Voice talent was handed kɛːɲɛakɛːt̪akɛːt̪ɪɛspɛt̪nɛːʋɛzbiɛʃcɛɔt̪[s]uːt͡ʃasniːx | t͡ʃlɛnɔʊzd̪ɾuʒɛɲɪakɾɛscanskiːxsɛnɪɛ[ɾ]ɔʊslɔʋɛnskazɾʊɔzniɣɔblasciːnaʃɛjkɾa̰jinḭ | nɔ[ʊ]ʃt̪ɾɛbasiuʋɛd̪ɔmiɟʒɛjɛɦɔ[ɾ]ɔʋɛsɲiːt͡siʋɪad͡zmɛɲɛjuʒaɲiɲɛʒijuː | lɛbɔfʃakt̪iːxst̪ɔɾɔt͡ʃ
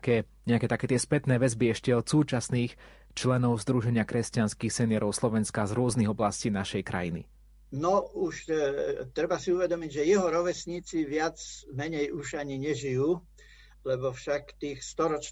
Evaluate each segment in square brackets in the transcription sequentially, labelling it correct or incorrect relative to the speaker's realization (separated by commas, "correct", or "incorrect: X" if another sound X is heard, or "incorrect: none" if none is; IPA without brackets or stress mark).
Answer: correct, correct, incorrect: u, correct